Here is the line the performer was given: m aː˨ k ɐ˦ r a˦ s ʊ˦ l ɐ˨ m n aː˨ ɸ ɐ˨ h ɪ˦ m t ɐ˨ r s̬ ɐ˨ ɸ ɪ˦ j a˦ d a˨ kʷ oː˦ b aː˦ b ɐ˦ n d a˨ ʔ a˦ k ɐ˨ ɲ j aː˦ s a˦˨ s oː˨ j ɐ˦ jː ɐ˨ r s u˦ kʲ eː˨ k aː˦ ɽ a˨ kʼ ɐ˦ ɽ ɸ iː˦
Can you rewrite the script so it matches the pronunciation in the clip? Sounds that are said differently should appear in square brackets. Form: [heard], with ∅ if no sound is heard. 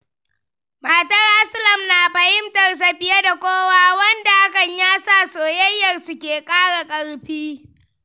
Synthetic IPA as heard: m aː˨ [t] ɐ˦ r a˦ s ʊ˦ l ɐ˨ m n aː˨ ɸ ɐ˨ h ɪ˦ m t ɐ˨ r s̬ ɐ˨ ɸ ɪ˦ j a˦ d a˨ kʷ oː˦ [w] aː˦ [w] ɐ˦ n d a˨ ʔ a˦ k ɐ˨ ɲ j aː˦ s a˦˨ s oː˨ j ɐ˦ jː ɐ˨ r s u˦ kʲ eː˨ [kʼ] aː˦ ɽ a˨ kʼ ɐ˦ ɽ ɸ iː˦